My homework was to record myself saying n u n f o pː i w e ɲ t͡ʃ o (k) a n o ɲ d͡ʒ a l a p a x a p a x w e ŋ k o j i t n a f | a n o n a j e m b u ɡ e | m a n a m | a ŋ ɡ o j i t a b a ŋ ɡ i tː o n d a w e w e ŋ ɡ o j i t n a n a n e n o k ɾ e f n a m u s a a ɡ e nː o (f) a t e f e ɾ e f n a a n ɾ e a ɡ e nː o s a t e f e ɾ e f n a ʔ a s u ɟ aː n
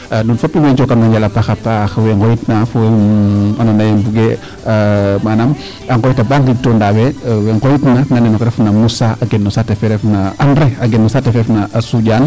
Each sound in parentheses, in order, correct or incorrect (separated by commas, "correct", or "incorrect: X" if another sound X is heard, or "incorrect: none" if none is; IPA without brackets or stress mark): correct, incorrect: s